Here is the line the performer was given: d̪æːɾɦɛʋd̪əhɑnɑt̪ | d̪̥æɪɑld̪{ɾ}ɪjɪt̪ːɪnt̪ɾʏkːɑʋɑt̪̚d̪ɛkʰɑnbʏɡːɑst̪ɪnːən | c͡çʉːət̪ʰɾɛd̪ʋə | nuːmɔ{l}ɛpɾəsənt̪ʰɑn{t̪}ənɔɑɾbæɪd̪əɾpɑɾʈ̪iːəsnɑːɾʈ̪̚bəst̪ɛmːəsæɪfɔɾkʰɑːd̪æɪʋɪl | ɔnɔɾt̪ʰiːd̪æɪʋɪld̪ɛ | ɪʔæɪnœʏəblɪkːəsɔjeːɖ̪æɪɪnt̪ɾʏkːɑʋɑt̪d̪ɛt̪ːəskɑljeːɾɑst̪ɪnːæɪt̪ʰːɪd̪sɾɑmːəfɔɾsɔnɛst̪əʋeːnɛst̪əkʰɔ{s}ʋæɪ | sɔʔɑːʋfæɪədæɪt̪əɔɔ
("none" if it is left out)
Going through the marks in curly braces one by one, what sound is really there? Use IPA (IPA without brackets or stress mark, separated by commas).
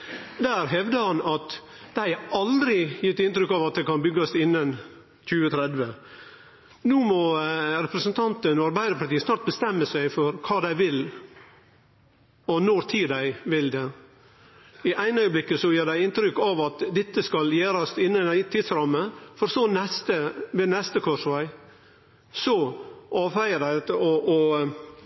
ɾ, ɾ, t̪, ʂ